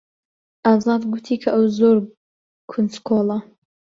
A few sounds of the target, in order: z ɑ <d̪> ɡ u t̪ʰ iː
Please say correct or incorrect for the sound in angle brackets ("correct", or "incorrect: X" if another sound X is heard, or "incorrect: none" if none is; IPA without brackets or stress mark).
correct